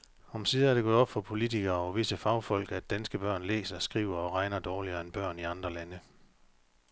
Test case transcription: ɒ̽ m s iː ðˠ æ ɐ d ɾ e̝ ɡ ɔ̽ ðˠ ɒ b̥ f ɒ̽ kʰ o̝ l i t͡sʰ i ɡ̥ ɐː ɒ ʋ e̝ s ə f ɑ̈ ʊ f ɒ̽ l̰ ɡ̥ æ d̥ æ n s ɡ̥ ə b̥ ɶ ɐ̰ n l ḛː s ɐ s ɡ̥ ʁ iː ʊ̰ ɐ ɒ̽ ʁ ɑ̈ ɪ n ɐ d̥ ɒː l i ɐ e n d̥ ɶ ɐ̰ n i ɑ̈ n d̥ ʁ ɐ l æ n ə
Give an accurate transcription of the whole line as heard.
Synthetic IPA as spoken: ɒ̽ m s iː ðˠ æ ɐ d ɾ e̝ ɡ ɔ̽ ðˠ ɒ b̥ f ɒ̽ pʰ o̝ l i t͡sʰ i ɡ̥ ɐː ɒ ʋ e̝ s ə f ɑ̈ ʊ f ɒ̽ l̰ ɡ̥ æ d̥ æ n s ɡ̥ ə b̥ ɶ ɐ̰ n l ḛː s ɐ s ɡ̥ ʁ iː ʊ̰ ɐ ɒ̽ ʁ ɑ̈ ɪ n ɐ d̥ ɒː l i ɐ e n b̥ ɶ ɐ̰ n i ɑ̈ n d̥ ʁ ɐ l æ n ə